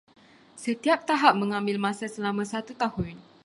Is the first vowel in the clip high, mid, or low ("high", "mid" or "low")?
mid